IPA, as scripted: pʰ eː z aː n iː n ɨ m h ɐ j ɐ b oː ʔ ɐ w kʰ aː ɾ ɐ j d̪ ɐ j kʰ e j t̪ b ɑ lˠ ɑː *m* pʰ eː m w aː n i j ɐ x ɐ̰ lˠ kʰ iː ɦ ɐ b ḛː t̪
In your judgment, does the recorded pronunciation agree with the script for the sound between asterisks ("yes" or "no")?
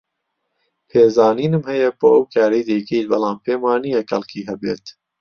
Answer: yes